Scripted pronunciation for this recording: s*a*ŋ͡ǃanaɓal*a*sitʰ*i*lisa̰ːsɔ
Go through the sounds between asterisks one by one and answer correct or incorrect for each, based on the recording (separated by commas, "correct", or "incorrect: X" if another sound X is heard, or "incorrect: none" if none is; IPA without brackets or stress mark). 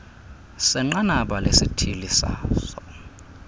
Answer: incorrect: ɛ, incorrect: e, correct